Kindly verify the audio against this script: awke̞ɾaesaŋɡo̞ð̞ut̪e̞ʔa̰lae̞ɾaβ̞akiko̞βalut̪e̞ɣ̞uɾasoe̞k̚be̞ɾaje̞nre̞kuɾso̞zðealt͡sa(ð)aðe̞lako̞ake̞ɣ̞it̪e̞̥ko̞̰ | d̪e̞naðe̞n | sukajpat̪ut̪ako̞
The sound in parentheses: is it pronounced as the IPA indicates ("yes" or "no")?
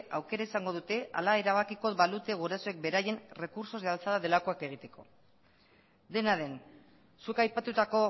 yes